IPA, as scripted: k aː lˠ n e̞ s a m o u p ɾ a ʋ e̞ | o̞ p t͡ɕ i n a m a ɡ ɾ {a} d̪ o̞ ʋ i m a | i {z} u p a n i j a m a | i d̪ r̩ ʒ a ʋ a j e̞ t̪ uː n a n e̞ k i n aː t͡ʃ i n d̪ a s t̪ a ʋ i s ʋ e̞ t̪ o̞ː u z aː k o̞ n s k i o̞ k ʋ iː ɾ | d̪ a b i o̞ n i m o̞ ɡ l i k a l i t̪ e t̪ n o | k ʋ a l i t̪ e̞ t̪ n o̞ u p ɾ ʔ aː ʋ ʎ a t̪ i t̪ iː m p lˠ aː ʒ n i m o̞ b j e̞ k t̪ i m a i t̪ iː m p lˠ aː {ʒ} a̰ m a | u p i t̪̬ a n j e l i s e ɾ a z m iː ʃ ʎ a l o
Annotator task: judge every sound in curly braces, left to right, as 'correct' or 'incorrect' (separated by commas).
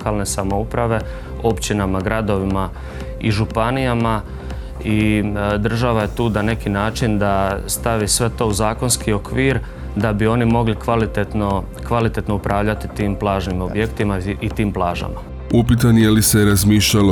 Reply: correct, incorrect, correct